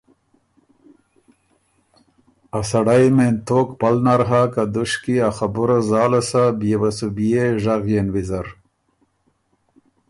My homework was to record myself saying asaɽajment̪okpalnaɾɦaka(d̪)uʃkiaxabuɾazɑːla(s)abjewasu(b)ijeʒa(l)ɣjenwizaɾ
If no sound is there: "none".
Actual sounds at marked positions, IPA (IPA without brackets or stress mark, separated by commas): d̪, s, b, none